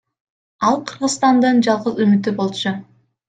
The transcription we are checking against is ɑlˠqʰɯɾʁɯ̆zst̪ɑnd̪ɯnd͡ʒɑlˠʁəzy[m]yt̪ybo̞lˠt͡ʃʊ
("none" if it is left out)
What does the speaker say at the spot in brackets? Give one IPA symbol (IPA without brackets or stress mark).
m